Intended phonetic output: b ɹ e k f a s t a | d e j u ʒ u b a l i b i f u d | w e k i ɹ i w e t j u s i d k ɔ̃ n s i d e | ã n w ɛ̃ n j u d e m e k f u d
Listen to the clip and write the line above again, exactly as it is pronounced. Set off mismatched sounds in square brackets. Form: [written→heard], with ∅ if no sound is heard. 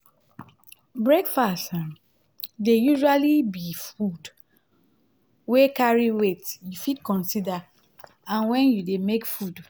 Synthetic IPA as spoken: b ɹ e k f a s t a | d e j u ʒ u [b→∅] a l i b i f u d | w e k [i→a] ɹ i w e t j u [s→f] i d k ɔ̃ n s i d [e→a] | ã n w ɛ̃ n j u d e m e k f u d